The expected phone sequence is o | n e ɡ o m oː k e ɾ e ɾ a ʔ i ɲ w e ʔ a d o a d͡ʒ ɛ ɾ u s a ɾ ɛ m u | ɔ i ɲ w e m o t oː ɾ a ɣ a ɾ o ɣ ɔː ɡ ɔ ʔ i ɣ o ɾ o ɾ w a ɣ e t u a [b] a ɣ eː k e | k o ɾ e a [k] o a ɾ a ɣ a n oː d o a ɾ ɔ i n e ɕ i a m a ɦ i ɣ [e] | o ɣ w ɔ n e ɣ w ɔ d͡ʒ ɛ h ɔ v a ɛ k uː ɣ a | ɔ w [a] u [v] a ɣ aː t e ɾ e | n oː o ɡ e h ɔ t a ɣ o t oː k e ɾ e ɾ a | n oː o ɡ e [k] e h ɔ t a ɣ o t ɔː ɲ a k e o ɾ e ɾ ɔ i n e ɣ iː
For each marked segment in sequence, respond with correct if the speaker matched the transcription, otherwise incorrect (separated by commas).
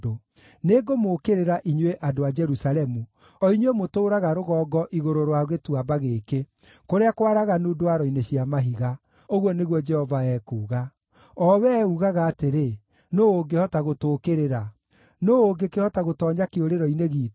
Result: correct, correct, incorrect, incorrect, incorrect, correct